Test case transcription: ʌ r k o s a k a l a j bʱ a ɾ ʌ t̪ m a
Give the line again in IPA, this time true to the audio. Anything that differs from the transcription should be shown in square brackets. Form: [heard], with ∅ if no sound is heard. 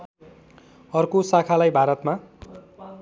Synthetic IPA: ʌ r k o s a [kʰ] a l a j bʱ a ɾ ʌ t̪ m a